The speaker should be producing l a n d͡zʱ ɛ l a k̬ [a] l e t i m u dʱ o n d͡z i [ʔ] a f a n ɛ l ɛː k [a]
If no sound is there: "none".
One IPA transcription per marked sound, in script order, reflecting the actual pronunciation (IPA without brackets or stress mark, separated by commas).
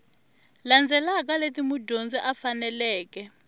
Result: a, ʔ, ɛ